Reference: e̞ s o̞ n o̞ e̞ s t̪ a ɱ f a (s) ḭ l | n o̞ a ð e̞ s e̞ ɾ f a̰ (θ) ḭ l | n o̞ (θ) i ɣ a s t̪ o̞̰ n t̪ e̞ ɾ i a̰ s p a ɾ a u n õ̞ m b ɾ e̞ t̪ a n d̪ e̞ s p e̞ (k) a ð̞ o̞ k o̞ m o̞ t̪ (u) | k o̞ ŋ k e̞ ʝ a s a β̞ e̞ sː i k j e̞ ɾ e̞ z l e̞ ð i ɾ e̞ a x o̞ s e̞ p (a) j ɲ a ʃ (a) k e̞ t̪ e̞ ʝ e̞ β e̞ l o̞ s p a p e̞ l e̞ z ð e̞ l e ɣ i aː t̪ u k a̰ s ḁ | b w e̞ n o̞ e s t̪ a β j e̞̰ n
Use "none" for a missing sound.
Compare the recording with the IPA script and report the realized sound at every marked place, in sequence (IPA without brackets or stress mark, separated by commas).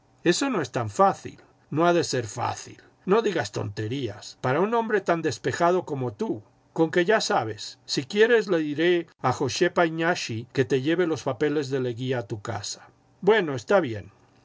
θ, θ, ð, x, u, a, i